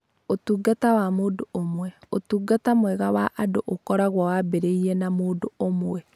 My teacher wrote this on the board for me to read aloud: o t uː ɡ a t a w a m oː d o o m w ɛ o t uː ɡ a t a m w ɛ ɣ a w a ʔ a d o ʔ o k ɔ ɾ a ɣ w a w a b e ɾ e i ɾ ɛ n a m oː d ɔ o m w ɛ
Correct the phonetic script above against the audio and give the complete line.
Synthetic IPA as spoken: o t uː ɡ a t a w a m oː d o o m w ɛ o t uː ɡ a t a m w ɛ ɣ a w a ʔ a d o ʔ o k ɔ ɾ a ɣ w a w a b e ɾ e i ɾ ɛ n a m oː d o o m w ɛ